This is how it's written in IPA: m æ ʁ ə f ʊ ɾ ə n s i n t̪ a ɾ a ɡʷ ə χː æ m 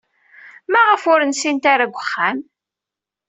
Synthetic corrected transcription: m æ ʁ ə f ʊ ɾ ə n s i n t̪ a ɾ a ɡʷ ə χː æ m